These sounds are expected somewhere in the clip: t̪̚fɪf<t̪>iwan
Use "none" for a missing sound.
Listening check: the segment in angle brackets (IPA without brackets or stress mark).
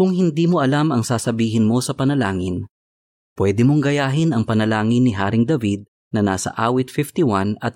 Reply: t̪